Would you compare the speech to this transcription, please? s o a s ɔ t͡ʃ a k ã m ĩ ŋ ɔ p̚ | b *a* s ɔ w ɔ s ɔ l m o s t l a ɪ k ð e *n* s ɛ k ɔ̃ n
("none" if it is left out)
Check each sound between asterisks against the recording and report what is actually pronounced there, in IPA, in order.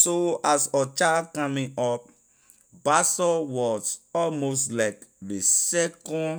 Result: a, none

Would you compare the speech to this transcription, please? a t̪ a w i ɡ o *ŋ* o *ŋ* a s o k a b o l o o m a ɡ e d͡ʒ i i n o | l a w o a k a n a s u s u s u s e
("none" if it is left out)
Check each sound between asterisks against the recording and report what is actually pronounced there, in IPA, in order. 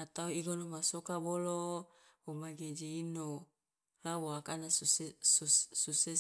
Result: n, m

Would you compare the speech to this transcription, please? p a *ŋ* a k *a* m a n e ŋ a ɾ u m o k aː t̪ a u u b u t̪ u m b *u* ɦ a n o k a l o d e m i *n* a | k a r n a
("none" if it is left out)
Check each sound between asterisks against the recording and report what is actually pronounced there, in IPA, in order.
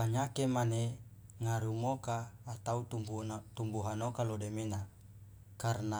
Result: ɲ, e, u, n

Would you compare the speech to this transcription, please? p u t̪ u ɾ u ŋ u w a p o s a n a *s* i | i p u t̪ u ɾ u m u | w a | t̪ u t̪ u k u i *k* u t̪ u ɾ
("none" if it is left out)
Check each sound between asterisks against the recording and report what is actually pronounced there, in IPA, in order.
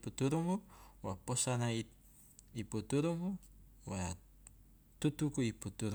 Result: none, p

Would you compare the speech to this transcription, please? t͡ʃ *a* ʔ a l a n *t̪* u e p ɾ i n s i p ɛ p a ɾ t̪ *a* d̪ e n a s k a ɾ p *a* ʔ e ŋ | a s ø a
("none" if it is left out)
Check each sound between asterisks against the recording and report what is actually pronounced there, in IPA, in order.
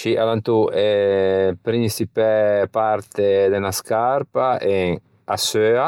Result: i, t̪, e, a

